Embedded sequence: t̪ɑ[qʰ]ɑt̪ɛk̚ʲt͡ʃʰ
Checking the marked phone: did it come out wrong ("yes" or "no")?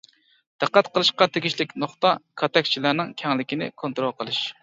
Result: yes